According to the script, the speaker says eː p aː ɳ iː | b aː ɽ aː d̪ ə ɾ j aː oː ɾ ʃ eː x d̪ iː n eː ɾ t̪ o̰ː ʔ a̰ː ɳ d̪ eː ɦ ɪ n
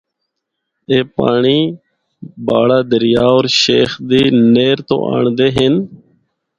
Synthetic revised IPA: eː p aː ɳ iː | b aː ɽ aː d̪ ə ɾ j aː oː ɾ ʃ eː x d̪ iː n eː ɾ t̪ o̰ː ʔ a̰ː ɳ d̪ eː ɦ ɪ n